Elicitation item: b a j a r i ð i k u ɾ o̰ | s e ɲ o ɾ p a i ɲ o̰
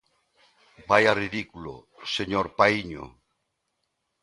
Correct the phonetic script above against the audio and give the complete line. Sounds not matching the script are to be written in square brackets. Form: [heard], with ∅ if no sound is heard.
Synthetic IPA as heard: b a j a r i ð i k u [l] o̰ | s e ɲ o ɾ p a i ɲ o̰

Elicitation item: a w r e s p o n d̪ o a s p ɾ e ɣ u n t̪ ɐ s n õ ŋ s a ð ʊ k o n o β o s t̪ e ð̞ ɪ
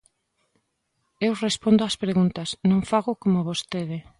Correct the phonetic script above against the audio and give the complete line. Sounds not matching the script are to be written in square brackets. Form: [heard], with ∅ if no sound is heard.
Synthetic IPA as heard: [e] w r e s p o n d̪ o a s p ɾ e ɣ u n t̪ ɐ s n õ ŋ [f] a [ɣ] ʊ k o [m] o β o s t̪ e ð̞ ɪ

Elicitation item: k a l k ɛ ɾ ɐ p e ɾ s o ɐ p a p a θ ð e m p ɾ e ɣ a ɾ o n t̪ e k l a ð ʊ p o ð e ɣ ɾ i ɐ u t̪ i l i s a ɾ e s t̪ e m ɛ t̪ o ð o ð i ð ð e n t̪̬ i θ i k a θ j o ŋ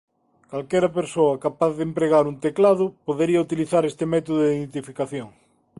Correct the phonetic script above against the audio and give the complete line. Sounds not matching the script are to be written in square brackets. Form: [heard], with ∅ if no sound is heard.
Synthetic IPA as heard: k a l k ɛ ɾ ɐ p e ɾ s o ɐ [k] a p a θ ð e m p ɾ e ɣ a ɾ [u] n t̪ e k l a ð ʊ p o ð e [∅] ɾ i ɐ u t̪ i l i [θ] a ɾ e s t̪ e m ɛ t̪ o ð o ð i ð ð e n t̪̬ i [f] i k a θ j o ŋ

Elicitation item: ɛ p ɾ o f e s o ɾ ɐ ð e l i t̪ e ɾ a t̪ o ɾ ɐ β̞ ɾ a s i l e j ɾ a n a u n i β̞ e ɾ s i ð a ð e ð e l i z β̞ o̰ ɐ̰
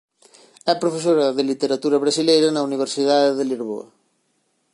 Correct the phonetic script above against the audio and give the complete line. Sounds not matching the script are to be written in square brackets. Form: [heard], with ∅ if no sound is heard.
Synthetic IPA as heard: ɛ p ɾ o f e s o ɾ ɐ ð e l i t̪ e ɾ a t̪ [u] ɾ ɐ β̞ ɾ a s i l e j ɾ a n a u n i β̞ e ɾ s i ð a ð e ð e l i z β̞ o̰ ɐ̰

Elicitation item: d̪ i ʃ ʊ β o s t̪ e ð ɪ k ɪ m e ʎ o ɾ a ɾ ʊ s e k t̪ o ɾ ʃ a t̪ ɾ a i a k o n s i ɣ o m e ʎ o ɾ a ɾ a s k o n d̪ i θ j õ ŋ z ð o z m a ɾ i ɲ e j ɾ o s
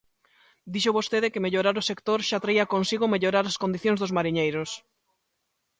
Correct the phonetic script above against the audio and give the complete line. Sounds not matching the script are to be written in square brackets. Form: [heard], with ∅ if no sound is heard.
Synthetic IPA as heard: d̪ i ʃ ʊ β o s t̪ e ð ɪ k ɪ m e ʎ o ɾ a ɾ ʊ s e k t̪ o ɾ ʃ a t̪ ɾ a i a k o n s i ɣ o m e ʎ o ɾ a ɾ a s k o n d̪ i θ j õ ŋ z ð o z m a ɾ i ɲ e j ɾ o s

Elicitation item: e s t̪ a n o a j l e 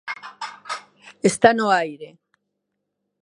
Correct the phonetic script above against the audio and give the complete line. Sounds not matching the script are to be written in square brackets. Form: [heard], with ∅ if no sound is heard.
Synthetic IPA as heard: e s t̪ a n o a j [ɾ] e

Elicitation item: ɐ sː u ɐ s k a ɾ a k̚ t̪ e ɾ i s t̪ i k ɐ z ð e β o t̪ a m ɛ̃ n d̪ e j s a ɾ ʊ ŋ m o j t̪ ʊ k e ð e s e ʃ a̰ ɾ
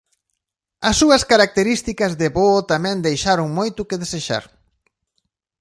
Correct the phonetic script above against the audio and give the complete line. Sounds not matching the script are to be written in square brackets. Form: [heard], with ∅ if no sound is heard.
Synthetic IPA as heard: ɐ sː u ɐ s k a ɾ a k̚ t̪ e ɾ i s t̪ i k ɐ z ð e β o t̪ a m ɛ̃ n d̪ e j [ʃ] a ɾ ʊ ŋ m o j t̪ ʊ k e ð e s e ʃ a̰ ɾ

